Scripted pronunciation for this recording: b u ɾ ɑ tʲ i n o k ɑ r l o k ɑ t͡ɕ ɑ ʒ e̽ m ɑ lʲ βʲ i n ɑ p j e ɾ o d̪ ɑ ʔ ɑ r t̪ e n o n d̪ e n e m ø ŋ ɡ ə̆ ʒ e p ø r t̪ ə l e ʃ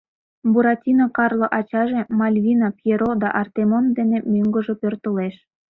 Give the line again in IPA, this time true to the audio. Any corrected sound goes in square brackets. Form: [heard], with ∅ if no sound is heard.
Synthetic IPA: b u ɾ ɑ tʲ i n o k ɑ r l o [ʔ] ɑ t͡ɕ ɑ ʒ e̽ m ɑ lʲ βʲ i n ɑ p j e ɾ o d̪ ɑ ʔ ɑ r t̪ e [m] o n d̪ e n e m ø ŋ ɡ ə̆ ʒ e p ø r t̪ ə l e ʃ